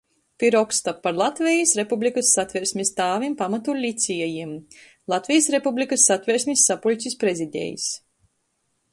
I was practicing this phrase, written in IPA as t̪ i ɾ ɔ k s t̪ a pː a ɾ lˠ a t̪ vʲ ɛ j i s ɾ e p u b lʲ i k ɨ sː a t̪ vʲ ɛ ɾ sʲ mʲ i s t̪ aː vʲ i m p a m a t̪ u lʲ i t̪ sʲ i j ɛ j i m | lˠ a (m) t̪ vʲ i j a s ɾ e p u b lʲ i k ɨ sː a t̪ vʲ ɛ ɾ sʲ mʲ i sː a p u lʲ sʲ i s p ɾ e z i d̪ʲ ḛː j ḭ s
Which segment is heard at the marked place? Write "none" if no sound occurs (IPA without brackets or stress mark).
none